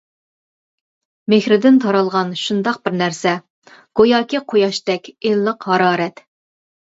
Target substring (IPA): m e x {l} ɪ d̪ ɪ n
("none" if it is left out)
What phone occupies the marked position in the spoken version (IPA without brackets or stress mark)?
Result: ɾ